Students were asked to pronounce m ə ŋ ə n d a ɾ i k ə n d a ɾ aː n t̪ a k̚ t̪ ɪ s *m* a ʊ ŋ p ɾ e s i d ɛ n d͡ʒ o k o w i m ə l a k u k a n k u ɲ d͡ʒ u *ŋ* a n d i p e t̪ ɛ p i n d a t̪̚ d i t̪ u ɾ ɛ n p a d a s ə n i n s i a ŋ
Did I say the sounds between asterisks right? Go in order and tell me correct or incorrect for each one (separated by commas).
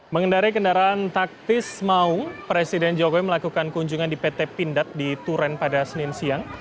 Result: correct, correct